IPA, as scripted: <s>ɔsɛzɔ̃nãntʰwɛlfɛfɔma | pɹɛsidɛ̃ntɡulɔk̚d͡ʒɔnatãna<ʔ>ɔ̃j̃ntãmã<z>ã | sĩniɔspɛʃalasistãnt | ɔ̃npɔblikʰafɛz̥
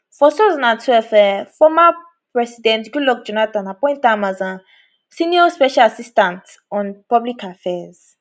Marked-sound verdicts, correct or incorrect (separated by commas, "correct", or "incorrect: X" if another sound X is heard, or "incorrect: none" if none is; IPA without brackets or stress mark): incorrect: f, incorrect: p, correct